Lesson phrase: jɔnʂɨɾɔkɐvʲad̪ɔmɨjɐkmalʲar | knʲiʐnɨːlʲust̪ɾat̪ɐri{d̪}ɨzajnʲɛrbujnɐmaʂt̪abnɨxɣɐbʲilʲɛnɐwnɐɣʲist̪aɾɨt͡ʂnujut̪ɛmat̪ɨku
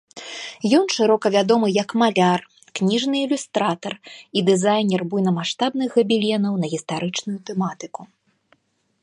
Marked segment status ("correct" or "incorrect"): correct